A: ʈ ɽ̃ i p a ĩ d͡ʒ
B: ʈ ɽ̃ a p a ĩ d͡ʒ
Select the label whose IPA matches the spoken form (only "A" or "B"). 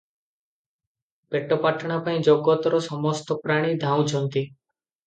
B